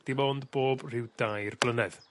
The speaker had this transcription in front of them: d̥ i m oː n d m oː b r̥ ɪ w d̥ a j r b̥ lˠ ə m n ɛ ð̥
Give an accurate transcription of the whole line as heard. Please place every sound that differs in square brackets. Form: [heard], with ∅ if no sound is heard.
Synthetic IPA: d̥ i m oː n d [b] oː b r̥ ɪ w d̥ a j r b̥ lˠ ə [∅] n ɛ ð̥